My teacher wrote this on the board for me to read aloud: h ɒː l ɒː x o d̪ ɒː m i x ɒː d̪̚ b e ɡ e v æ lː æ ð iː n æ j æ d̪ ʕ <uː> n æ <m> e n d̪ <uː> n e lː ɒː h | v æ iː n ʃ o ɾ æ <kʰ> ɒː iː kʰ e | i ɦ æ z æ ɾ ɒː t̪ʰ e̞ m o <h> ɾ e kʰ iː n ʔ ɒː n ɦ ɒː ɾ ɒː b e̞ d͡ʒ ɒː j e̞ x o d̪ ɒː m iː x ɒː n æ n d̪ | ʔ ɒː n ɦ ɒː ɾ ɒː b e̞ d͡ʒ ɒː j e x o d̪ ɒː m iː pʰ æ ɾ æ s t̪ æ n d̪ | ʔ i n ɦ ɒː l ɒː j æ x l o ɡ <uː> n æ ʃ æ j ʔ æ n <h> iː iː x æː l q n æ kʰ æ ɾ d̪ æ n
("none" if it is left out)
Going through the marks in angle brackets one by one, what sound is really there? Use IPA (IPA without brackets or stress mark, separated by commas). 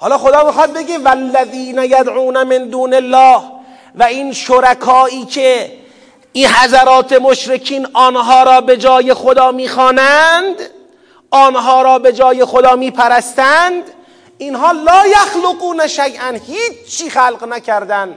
uː, m, uː, kʰ, ʃ, uː, h